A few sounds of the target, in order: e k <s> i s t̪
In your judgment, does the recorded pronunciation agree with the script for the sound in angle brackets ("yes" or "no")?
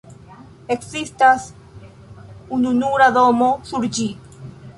yes